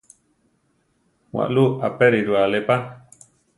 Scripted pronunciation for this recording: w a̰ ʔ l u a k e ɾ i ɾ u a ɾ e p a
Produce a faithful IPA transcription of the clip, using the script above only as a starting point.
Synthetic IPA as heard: w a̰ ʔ l u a p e ɾ i ɾ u a l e p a